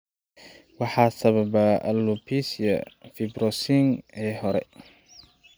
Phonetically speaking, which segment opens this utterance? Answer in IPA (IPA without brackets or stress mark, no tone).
w